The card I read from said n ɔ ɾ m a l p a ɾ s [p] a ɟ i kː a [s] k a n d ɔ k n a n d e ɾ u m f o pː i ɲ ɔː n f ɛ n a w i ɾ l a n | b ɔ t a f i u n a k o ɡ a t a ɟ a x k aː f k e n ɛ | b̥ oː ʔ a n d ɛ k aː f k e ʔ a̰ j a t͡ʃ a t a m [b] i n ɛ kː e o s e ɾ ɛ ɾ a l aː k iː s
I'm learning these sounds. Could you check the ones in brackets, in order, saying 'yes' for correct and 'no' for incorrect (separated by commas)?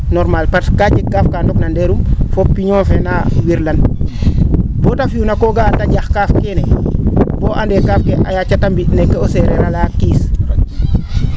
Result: no, no, yes